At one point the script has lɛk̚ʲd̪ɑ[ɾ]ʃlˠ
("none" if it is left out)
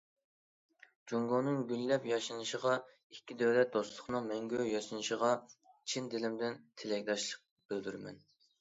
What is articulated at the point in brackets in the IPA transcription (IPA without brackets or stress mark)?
none